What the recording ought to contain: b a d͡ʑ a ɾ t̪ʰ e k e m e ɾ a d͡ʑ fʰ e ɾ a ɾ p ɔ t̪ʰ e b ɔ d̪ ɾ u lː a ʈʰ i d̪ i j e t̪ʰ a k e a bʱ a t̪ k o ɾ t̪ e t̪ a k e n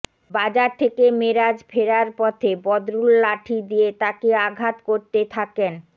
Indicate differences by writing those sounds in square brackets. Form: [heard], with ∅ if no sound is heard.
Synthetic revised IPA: b a d͡ʑ a ɾ t̪ʰ e k e m e ɾ a d͡ʑ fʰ e ɾ a ɾ p ɔ t̪ʰ e b ɔ d̪ ɾ u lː a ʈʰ i d̪ i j e [t̪] a k e a [ɡʱ] a t̪ k o ɾ t̪ e [t̪ʰ] a k e n